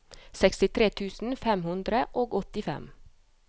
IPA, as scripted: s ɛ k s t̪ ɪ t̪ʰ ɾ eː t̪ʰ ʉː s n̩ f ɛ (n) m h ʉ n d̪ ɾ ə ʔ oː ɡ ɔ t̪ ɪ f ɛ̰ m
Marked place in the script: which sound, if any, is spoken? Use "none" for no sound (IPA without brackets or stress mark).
none